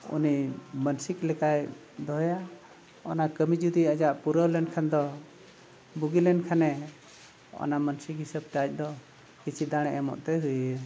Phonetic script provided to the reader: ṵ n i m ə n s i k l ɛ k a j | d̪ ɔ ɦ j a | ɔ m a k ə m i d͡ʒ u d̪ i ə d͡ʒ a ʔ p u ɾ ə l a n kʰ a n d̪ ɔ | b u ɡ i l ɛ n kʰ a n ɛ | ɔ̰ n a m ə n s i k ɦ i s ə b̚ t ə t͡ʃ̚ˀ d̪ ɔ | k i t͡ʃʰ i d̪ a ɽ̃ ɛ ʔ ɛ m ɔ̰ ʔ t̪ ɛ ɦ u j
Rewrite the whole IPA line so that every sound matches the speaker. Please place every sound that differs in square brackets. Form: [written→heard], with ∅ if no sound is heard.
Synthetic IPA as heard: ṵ n i m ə n s i k l ɛ k a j | d̪ ɔ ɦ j a | ɔ [m→n] a k ə m i d͡ʒ u d̪ i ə d͡ʒ a ʔ p u ɾ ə l [a→ɛ] n kʰ a n d̪ ɔ | b u ɡ i l ɛ n kʰ a n ɛ | ɔ̰ n a m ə n s i k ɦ i s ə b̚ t [ə→a] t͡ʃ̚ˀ d̪ ɔ | k i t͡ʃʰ i d̪ a ɽ̃ ɛ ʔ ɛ m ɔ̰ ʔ t̪ ɛ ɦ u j